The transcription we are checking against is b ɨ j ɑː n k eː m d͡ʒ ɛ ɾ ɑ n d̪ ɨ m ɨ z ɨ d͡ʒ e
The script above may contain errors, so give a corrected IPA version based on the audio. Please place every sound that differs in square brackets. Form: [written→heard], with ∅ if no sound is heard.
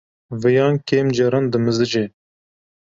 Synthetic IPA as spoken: [b→v] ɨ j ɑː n k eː m d͡ʒ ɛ ɾ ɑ n d̪ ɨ m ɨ z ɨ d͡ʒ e